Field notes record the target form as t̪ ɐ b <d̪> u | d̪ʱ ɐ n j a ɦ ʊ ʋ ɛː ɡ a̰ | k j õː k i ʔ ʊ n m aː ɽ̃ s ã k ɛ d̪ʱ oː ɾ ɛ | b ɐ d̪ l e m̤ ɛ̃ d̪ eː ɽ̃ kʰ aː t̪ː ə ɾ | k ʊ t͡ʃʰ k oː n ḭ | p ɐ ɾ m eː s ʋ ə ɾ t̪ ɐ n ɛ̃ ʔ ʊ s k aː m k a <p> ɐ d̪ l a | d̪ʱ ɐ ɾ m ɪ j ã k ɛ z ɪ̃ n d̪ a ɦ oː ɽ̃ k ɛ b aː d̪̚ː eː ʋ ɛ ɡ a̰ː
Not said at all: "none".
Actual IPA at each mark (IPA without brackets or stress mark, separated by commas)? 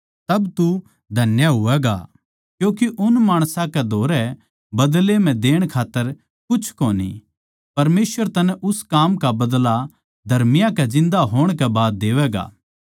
t̪, b